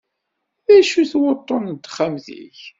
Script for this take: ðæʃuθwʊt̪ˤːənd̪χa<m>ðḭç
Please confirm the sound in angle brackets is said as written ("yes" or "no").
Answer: yes